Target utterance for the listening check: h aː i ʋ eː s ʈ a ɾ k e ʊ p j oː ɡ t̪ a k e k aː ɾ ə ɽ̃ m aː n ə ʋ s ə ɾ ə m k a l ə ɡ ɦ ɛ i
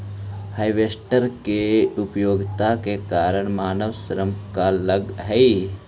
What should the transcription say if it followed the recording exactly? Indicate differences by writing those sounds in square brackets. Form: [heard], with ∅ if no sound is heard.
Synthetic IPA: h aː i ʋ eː s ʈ [ə] ɾ k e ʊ p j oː ɡ t̪ a k e k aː ɾ ə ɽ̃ m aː n ə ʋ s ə ɾ ə m k a l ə ɡ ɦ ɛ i